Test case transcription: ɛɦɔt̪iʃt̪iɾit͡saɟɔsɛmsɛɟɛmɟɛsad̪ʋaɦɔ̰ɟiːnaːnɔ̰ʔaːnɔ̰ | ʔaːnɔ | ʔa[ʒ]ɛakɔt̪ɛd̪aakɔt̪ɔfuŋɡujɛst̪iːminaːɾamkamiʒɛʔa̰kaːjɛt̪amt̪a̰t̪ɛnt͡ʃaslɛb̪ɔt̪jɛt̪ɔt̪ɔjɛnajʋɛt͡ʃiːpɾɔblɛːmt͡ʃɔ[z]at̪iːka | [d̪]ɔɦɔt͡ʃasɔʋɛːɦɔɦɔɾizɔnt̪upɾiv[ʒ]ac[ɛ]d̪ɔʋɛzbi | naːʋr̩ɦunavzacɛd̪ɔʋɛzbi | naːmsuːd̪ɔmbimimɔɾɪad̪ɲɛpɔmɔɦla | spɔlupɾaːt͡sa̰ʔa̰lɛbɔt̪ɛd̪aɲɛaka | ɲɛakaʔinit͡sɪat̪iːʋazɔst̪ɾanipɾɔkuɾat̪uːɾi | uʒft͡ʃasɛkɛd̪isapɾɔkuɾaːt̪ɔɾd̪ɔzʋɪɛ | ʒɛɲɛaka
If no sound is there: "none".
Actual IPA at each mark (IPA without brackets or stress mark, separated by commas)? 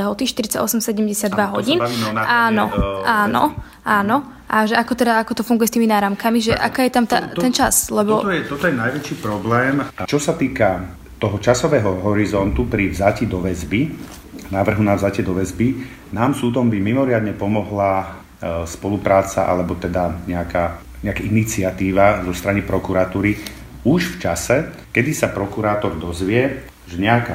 ʒ, s, t̪, z, i